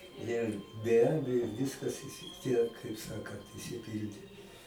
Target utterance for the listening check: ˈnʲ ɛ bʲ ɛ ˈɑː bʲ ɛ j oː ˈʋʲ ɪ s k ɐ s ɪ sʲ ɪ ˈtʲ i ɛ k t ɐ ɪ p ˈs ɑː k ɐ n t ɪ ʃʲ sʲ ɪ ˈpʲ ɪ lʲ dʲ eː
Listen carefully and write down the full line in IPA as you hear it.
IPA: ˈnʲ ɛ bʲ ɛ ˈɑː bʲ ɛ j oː ˈʋʲ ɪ s k ɐ s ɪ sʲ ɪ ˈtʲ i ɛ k k ɐ ɪ p ˈs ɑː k ɐ n t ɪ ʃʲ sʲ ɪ ˈpʲ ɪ lʲ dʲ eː